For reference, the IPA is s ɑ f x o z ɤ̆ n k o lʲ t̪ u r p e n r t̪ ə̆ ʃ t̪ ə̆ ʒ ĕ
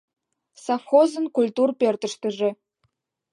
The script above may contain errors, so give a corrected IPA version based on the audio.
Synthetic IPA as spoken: s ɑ f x o z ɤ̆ n k u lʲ t̪ u r p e r t̪ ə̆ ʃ t̪ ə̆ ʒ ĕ